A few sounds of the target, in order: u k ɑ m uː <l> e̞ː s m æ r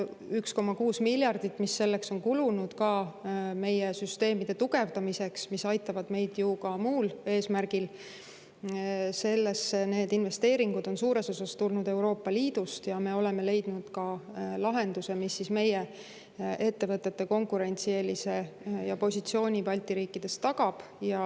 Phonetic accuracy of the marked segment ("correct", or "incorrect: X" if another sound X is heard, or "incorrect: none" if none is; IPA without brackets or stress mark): correct